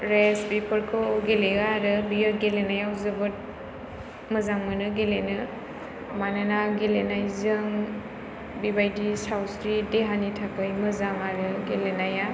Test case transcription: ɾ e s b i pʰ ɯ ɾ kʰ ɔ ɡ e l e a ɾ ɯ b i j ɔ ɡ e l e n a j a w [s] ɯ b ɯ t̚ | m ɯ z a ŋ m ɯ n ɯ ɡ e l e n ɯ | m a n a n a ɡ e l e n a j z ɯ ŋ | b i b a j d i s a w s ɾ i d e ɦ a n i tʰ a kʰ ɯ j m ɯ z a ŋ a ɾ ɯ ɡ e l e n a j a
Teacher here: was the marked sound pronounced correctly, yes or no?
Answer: no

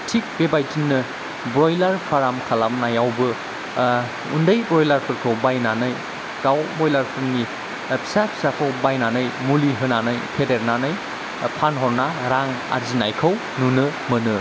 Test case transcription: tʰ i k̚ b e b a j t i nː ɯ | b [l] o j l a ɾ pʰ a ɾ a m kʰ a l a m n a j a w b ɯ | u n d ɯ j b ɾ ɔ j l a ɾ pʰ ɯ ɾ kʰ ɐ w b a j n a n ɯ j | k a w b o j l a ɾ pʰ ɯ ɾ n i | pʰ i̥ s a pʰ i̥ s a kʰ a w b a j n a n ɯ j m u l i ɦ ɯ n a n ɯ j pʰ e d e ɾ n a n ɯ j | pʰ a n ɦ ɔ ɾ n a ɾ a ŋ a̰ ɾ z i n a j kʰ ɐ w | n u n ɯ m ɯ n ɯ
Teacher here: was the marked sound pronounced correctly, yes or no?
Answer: no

